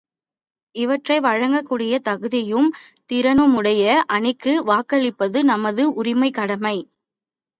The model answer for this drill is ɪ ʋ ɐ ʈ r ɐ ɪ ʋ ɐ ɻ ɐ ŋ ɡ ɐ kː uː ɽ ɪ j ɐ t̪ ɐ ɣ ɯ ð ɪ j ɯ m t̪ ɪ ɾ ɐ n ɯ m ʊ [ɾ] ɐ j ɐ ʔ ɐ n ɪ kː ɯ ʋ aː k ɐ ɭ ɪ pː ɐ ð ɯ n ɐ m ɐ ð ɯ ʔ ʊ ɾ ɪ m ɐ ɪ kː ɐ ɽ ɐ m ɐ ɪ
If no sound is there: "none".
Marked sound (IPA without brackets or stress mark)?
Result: ɽ